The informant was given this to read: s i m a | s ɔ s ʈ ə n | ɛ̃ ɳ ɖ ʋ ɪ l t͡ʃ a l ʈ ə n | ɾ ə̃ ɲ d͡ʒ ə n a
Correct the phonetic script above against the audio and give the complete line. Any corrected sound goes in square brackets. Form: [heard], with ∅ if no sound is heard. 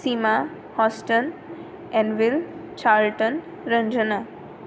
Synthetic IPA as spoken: s i m a | [h] ɔ s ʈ ə n | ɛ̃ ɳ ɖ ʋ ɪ l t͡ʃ a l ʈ ə n | ɾ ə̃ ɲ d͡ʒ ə n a